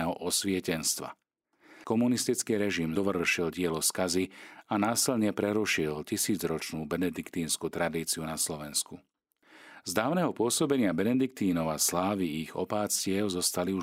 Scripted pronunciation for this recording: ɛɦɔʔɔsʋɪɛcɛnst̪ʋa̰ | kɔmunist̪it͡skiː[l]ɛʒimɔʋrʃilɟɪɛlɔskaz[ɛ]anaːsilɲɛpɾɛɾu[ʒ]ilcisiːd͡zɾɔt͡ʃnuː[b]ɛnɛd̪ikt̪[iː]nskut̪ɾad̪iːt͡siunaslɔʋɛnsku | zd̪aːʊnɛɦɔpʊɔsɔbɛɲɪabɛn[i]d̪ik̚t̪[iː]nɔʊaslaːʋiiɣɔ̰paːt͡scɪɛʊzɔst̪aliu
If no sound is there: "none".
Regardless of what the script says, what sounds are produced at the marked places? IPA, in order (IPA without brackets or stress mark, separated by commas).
ɾ, i, ʃ, b, iː, ɛ, iː